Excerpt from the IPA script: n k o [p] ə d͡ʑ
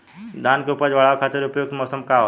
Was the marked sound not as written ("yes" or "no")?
no